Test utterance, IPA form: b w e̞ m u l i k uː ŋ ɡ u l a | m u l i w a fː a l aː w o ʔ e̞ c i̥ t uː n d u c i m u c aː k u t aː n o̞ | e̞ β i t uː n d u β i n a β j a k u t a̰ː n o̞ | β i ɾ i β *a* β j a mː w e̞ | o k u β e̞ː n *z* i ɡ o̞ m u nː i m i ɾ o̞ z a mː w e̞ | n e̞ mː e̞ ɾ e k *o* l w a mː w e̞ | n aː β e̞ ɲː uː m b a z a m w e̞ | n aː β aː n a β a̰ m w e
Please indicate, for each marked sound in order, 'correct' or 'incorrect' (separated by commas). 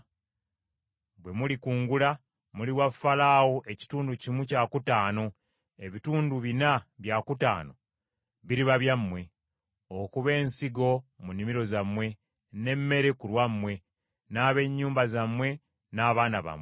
correct, incorrect, incorrect